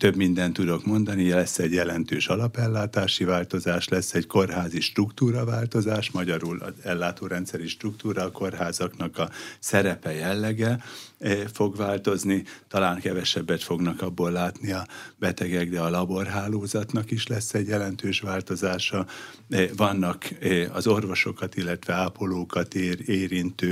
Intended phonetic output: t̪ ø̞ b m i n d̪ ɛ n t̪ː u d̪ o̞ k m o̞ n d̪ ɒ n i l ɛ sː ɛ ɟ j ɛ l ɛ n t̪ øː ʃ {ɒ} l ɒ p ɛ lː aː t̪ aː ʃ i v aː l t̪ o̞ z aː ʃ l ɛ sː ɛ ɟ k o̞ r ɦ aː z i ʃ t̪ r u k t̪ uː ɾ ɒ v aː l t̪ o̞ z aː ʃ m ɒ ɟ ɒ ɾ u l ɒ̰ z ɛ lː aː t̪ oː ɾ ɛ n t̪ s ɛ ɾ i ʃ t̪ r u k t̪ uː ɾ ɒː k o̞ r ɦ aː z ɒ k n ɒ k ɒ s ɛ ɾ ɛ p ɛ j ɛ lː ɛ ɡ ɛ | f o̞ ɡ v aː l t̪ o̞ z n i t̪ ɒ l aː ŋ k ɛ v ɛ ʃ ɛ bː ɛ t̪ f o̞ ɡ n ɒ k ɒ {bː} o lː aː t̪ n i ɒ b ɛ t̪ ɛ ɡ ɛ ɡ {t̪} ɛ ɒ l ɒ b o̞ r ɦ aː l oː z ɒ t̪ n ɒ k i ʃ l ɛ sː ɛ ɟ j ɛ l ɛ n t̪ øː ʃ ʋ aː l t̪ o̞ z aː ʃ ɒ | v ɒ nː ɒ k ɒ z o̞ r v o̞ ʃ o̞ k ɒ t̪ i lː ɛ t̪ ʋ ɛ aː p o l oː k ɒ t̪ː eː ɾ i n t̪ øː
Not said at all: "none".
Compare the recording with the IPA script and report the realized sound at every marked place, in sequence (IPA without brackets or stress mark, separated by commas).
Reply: ɒ, bː, d̪